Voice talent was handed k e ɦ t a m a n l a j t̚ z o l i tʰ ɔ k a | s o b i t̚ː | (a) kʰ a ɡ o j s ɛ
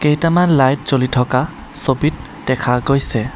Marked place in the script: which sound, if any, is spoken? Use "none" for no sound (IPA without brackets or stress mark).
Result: ɛ